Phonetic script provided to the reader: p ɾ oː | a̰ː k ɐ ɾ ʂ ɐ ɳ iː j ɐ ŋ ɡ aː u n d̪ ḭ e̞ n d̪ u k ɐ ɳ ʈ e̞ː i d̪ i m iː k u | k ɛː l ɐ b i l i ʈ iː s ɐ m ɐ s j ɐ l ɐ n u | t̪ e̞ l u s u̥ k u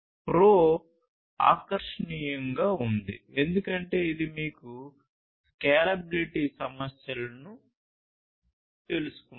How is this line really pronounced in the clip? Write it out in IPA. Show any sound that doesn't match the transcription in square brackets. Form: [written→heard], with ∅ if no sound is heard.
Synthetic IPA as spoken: p ɾ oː | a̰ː k ɐ ɾ ʂ ɐ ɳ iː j ɐ ŋ ɡ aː u n d̪ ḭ e̞ n d̪ u k ɐ ɳ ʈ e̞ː i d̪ i m iː k u | k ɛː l ɐ b i l i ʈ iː s ɐ m ɐ s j ɐ l ɐ n u | t̪ e̞ l u s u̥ k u